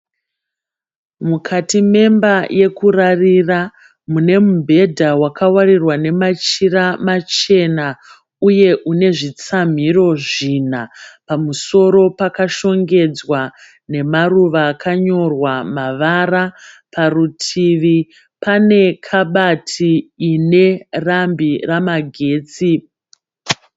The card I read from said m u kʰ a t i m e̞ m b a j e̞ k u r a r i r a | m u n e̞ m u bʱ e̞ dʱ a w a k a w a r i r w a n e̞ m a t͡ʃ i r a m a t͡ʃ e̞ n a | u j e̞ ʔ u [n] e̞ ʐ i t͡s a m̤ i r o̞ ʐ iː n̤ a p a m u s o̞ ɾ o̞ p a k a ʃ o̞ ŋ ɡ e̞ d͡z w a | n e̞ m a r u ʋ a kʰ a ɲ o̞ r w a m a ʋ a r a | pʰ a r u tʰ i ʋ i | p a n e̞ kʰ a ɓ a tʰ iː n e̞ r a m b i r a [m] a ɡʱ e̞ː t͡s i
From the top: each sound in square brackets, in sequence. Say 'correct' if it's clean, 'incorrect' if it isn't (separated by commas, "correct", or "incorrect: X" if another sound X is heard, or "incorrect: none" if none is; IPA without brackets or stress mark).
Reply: correct, correct